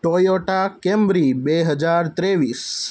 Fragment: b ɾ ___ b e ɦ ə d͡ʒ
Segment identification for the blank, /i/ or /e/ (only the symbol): i